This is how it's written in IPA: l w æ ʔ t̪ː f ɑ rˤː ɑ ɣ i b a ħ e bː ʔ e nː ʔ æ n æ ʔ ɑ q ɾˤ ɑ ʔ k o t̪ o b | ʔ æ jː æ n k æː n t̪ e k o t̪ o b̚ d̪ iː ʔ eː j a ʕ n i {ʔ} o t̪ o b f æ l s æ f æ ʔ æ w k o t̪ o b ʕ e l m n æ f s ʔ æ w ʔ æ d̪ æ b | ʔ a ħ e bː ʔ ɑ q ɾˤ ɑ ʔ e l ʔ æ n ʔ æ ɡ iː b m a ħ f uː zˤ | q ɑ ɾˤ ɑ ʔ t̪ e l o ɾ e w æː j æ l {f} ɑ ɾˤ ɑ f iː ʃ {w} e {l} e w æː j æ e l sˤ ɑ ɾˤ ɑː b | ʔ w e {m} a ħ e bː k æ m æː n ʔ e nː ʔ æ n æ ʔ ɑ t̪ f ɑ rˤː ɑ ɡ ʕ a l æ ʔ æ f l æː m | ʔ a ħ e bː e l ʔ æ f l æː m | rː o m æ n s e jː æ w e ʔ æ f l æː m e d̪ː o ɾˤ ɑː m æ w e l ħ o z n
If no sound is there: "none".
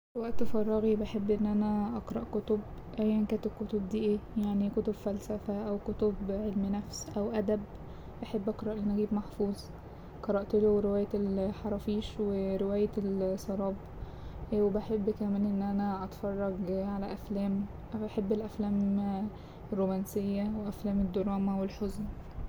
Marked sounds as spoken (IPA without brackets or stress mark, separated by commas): k, ħ, w, ɾ, b